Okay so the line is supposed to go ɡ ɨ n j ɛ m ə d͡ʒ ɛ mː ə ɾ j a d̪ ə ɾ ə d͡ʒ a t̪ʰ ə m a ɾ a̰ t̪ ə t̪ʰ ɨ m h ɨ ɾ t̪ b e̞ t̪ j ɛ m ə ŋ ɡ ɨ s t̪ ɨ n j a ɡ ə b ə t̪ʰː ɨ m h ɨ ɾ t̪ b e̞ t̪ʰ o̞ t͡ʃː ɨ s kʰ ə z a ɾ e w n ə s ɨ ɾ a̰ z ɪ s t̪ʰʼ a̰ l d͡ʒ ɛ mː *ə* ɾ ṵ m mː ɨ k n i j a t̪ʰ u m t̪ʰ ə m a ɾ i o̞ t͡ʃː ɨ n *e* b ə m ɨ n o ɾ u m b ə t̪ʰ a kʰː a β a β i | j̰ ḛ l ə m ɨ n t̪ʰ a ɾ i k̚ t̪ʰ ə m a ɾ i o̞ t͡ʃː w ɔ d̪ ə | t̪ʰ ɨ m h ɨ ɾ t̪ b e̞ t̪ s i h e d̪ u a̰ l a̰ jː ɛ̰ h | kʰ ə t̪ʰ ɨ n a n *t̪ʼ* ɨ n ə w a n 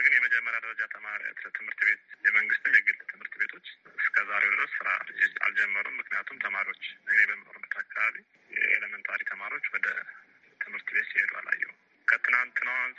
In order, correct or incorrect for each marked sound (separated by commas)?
correct, correct, incorrect